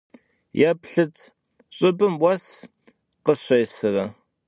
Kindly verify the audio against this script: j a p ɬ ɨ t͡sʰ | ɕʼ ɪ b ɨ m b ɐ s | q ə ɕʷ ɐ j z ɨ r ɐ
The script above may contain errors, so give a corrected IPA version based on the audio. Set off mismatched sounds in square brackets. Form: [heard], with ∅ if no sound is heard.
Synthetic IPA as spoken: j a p ɬ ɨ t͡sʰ | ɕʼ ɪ b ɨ m [w] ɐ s | q ə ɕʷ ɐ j [s] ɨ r ɐ